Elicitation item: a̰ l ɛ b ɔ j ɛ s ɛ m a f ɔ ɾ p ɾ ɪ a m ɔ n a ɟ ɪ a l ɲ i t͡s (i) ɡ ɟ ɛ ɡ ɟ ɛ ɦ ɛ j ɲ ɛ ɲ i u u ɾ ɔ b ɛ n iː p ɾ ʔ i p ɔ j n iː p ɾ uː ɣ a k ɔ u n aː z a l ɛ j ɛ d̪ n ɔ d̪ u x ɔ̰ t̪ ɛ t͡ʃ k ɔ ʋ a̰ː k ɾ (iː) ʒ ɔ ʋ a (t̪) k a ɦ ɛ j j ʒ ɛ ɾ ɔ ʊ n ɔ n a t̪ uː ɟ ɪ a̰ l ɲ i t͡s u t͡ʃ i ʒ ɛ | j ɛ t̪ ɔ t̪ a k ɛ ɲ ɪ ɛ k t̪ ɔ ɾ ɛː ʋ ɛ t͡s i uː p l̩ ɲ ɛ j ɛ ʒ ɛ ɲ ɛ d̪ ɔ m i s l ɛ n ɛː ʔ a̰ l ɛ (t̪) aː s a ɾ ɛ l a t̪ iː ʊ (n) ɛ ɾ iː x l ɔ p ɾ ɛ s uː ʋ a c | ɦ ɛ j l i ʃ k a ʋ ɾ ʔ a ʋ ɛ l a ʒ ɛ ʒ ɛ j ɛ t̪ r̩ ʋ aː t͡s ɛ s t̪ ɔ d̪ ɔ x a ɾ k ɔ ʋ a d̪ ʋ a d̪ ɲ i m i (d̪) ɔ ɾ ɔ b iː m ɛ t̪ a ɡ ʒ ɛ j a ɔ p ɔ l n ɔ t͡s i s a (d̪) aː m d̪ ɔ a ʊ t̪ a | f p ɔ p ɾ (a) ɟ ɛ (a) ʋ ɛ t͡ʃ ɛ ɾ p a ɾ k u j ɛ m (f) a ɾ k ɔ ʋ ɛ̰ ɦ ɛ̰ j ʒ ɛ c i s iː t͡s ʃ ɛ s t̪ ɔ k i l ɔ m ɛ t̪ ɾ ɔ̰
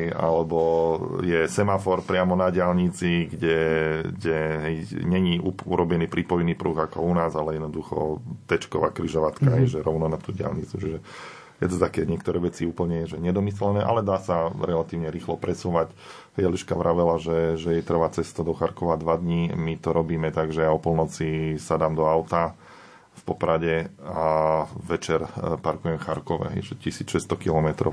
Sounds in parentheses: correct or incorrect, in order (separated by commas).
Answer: correct, incorrect, correct, incorrect, incorrect, incorrect, correct, correct, correct, incorrect